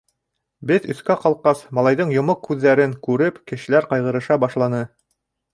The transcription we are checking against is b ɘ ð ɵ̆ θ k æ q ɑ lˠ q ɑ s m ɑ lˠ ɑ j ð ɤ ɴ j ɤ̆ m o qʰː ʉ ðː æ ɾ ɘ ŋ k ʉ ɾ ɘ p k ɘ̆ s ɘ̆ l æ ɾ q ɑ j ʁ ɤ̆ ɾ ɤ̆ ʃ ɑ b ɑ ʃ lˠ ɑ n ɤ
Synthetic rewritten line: b ɘ ð ɵ̆ θ k æ q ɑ lˠ q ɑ s m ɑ lˠ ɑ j ð ɤ ɴ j ŏ m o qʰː ʉ ðː æ ɾ ɘ ŋ k ʉ ɾ ɘ p k ɘ̆ ʃ ɘ̆ l æ ɾ q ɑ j ʁ ɤ̆ ɾ ɤ̆ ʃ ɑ b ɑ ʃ lˠ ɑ n ɤ